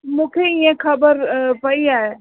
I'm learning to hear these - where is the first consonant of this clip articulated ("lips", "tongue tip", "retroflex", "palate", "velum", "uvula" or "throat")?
lips